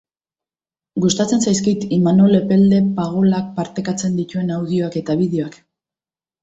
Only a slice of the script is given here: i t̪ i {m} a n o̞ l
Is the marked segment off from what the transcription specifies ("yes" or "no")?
no